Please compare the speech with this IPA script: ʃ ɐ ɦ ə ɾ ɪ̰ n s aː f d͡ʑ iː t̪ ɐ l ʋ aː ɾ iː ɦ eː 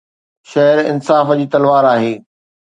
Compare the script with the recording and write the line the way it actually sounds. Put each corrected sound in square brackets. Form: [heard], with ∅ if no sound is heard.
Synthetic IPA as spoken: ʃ ɐ ɦ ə ɾ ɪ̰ n s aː f d͡ʑ iː t̪ ɐ l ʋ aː ɾ [aː] ɦ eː